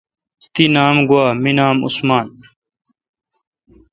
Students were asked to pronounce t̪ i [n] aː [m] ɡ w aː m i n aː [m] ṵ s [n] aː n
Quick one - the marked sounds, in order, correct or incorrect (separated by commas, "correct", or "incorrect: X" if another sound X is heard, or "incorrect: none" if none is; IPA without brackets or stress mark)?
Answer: correct, correct, correct, incorrect: m